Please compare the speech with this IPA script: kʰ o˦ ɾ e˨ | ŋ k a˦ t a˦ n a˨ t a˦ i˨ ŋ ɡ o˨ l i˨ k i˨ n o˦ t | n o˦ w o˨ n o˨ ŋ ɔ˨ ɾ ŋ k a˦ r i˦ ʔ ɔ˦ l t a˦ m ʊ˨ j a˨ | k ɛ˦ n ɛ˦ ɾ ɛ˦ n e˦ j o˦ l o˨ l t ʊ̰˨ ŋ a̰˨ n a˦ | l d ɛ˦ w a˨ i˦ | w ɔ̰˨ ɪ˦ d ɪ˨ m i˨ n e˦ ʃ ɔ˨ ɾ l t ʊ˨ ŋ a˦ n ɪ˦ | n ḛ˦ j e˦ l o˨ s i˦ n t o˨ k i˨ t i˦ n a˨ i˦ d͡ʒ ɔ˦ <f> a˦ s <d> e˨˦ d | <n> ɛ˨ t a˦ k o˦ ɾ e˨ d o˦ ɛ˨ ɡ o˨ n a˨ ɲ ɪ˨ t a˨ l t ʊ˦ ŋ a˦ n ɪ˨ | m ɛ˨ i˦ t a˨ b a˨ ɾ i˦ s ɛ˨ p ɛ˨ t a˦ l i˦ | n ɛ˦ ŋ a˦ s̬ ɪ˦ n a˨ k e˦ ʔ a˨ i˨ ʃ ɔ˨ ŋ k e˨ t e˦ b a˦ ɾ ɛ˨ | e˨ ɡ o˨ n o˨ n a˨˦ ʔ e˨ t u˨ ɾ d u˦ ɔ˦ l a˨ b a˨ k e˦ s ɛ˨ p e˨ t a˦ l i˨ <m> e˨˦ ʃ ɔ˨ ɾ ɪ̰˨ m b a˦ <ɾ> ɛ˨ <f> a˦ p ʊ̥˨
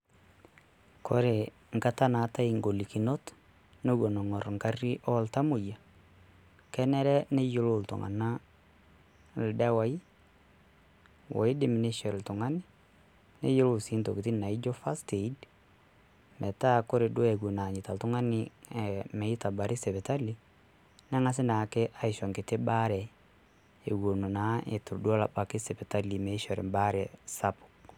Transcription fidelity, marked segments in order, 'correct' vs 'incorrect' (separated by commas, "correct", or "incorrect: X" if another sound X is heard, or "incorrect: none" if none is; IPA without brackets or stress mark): correct, incorrect: t, incorrect: m, correct, correct, incorrect: s